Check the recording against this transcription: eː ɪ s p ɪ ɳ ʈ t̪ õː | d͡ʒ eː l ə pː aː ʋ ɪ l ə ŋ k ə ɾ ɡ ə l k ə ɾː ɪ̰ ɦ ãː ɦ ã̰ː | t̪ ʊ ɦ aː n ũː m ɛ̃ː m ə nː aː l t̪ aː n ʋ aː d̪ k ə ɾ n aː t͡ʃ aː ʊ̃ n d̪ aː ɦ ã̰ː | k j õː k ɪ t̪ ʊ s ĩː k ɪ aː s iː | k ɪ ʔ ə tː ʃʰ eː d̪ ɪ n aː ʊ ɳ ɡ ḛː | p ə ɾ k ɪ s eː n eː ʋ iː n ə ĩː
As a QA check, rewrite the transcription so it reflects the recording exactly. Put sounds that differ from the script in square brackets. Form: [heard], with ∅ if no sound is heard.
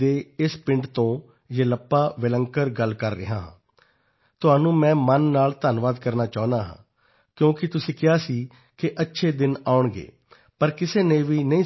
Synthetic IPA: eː ɪ s p ɪ ɳ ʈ t̪ õː | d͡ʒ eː l ə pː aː ʋ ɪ l ə ŋ k ə ɾ ɡ ə l k ə ɾː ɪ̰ ɦ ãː ɦ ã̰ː | t̪ ʊ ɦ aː n ũː m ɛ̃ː m ə nː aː l t̪ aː n ʋ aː d̪ k ə ɾ n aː t͡ʃ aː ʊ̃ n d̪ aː ɦ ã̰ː | k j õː k ɪ t̪ ʊ s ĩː k ɪ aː s iː | k ɪ ʔ ə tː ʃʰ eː d̪ ɪ n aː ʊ ɳ ɡ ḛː | p ə ɾ k ɪ s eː n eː ʋ iː n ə ĩː